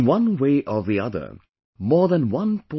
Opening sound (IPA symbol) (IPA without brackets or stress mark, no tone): w